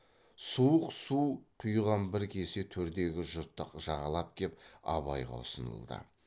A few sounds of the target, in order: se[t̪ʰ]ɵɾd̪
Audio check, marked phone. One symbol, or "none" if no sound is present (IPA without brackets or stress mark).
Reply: t̪ʰ